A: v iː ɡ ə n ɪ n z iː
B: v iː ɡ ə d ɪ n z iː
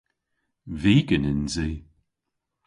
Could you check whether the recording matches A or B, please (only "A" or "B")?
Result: A